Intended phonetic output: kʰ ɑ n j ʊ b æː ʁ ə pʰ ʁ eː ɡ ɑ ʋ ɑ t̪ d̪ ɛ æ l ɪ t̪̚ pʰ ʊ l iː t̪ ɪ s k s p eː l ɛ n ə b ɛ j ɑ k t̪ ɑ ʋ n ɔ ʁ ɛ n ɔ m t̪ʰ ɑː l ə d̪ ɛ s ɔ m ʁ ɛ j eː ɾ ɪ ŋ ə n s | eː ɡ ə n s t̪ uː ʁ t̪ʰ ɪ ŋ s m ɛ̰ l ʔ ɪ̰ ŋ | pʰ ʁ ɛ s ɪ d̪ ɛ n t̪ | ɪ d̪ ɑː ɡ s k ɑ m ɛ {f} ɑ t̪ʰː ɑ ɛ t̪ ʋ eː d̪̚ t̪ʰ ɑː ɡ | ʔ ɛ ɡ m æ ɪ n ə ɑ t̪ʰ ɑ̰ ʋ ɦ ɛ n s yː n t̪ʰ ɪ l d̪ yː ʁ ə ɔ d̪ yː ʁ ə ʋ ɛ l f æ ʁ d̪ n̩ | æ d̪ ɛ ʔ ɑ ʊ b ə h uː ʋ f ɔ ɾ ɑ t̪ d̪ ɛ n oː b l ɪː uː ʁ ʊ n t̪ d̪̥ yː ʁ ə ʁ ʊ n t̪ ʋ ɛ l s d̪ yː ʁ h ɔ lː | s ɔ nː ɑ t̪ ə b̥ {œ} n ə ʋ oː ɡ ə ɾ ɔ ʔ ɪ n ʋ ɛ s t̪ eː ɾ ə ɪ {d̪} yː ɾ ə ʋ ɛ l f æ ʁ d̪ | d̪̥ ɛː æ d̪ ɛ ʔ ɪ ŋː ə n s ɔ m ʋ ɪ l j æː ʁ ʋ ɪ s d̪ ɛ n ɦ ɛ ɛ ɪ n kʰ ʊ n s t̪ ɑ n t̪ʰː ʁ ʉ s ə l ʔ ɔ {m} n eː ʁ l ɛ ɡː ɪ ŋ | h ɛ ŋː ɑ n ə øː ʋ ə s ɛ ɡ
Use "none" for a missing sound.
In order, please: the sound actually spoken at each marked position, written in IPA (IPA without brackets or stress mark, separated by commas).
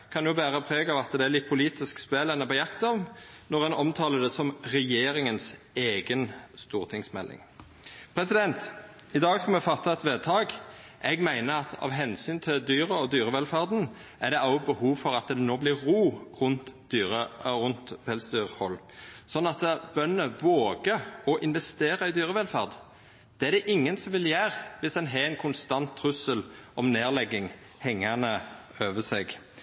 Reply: f, œ, d̪, m